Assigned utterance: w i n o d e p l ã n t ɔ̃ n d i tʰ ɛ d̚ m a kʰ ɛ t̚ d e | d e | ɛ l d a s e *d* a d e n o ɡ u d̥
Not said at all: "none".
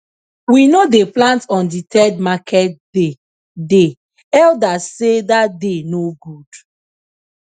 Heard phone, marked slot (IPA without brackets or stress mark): d